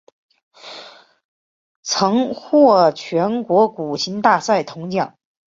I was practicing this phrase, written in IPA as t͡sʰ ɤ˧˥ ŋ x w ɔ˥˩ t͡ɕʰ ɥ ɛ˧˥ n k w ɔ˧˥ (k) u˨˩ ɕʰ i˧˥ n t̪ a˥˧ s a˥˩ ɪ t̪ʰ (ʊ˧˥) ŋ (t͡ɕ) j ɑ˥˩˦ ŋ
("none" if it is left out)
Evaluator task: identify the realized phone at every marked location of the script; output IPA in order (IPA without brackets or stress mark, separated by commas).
k, ʊ˧˥, t͡ɕ